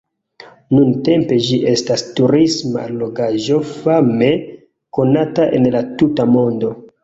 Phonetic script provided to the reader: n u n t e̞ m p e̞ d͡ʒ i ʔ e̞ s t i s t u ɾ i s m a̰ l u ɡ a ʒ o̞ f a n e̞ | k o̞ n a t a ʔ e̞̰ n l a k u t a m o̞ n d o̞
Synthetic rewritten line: n u n t e̞ m p e̞ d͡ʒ i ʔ e̞ s t a s t u ɾ i s m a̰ l o ɡ a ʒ o̞ f a m e̞ | k o̞ n a t a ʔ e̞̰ n l a t u t a m o̞ n d o̞